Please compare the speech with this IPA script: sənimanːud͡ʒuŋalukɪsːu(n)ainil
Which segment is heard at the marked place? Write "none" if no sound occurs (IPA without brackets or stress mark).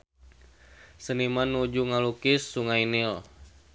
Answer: ŋ